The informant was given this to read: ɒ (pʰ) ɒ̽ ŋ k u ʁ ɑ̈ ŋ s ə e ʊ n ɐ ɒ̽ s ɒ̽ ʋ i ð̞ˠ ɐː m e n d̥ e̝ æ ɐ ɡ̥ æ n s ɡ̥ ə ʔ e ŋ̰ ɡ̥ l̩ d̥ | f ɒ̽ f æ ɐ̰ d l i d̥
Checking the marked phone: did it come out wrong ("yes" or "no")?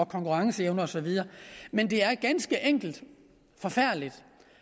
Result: yes